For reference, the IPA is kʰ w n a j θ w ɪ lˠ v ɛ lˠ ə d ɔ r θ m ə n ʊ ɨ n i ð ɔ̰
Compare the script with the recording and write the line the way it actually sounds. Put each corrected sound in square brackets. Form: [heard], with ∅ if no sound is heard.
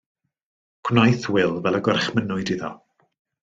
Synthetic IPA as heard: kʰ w n a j θ w ɪ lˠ v ɛ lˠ ə [ɡ] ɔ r [χ] m ə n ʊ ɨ [d] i ð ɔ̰